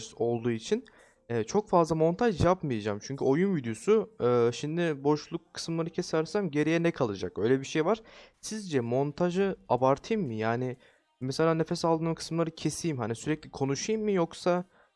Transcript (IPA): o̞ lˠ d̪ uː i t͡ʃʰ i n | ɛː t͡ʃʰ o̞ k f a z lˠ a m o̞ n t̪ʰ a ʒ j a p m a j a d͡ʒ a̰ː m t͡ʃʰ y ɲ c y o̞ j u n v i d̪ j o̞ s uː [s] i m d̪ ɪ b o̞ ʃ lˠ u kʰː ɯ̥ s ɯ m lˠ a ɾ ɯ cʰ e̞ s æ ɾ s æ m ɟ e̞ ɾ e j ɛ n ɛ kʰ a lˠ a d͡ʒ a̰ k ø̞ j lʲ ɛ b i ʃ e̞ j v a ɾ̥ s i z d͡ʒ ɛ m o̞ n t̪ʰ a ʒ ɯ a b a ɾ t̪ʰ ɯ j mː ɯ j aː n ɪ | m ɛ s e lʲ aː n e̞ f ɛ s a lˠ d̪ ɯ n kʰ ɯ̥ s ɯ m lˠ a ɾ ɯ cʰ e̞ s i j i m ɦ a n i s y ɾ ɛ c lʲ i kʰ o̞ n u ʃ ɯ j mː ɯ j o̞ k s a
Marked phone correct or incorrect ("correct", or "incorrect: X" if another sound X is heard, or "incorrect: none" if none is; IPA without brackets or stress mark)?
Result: incorrect: ʃ